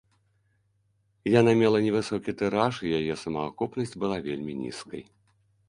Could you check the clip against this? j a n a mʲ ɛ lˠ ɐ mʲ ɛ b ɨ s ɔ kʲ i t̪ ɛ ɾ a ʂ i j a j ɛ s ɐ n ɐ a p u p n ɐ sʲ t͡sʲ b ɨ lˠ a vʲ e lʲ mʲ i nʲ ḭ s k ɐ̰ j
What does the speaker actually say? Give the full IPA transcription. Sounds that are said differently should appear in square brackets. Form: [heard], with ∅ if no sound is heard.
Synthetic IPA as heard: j a n a mʲ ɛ lˠ ɐ [nʲ] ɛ [v] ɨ s ɔ kʲ i t̪ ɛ ɾ a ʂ i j a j ɛ s ɐ [m] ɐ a [k] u p n ɐ sʲ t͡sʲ b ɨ lˠ a vʲ e lʲ mʲ i nʲ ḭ s k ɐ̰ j